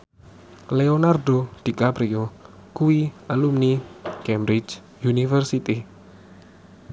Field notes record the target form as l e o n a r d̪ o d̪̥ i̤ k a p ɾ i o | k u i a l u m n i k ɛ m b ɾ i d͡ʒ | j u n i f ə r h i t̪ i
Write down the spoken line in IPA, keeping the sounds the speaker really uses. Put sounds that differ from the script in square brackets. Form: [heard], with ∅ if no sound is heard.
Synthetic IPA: l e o n a r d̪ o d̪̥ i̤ k a p ɾ i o | k u i a l u m n i k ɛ m b ɾ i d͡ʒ | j u n i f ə r [s] i t̪ i